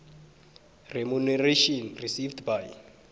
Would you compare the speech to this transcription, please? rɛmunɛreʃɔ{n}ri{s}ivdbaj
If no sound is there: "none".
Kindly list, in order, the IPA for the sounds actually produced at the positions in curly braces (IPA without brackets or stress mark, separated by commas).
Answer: n, s